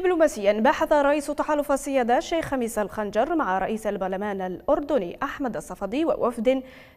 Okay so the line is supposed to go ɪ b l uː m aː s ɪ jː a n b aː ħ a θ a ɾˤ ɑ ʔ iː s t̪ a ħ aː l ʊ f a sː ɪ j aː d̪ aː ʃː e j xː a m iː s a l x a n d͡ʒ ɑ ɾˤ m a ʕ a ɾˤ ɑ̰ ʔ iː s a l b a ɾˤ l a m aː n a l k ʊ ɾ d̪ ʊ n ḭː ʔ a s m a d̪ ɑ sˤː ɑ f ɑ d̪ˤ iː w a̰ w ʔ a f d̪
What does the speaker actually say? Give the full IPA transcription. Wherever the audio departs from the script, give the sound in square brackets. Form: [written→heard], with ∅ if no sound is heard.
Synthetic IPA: ɪ b l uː m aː s ɪ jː a n b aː ħ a θ a ɾˤ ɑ ʔ iː s t̪ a ħ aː l ʊ f a sː ɪ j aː d̪ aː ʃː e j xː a m iː s a l x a n d͡ʒ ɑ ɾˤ m a ʕ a ɾˤ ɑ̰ ʔ iː s a l b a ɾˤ l a m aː n a l [k→ʔ] ʊ ɾ d̪ ʊ n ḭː ʔ a [s→ħ] m a d̪ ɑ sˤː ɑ f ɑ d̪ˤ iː w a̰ w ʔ a f d̪